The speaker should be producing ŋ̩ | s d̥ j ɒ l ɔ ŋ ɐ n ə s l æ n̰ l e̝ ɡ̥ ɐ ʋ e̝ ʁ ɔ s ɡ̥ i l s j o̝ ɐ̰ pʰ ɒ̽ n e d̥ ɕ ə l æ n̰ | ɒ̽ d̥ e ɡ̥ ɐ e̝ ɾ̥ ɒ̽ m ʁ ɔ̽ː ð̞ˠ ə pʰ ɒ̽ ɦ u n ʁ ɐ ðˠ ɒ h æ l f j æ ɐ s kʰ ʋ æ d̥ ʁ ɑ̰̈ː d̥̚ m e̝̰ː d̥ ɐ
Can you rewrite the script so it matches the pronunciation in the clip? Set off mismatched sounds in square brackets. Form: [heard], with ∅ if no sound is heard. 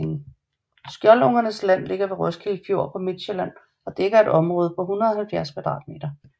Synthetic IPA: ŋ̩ | s [ɡ̥] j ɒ l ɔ ŋ ɐ n ə s l æ n̰ l e̝ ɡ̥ ɐ ʋ e̝ ʁ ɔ s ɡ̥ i l [f] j o̝ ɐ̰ pʰ ɒ̽ [m] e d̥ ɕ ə l æ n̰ | ɒ̽ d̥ e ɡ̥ ɐ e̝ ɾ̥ ɒ̽ m ʁ ɔ̽ː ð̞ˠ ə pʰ ɒ̽ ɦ u n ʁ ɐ ðˠ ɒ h æ l f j æ ɐ s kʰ ʋ æ d̥ ʁ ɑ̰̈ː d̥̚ m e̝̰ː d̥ ɐ